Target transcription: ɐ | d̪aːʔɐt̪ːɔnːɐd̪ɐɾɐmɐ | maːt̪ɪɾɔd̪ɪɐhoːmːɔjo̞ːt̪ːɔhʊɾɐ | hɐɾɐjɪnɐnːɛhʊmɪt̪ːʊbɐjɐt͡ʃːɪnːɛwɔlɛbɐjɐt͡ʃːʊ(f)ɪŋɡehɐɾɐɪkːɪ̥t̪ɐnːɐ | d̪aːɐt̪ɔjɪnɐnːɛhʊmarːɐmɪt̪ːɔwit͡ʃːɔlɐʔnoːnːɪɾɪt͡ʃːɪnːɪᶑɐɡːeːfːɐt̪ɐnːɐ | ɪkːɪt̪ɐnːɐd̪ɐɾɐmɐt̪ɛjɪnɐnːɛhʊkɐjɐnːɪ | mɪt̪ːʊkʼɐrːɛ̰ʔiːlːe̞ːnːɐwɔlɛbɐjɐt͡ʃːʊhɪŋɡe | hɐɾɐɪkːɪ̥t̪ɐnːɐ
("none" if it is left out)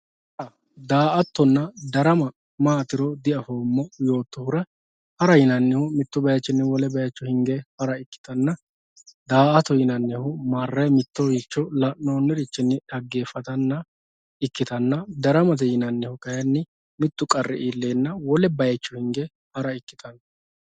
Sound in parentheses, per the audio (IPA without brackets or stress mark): h